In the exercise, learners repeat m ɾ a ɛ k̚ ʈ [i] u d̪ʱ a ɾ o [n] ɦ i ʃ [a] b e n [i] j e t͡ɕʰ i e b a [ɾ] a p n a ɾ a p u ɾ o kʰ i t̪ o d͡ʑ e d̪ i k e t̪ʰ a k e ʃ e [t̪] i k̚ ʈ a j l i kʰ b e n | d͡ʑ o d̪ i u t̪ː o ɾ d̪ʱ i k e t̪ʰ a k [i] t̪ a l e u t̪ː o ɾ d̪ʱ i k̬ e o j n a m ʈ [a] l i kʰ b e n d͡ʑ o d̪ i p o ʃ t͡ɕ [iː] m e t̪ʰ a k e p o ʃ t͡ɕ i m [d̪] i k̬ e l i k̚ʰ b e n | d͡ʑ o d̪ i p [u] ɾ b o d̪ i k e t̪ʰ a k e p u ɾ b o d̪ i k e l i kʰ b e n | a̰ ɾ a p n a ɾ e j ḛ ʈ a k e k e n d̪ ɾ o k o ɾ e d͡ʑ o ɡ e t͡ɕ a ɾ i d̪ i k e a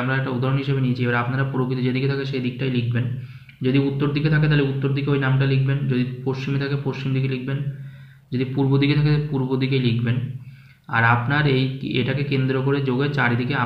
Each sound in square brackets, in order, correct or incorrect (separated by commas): incorrect, correct, incorrect, correct, correct, incorrect, incorrect, correct, incorrect, correct, correct